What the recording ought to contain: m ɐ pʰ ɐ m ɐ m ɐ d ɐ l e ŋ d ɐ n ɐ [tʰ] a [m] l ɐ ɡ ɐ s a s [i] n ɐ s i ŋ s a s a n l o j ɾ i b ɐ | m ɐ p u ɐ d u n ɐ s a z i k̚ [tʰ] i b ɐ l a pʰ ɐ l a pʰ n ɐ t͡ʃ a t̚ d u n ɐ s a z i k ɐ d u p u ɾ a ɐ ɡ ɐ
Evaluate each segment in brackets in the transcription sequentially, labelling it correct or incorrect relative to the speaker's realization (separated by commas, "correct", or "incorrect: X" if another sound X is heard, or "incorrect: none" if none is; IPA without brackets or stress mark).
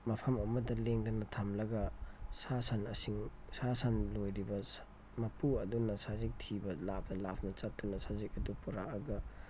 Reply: correct, correct, incorrect: a, correct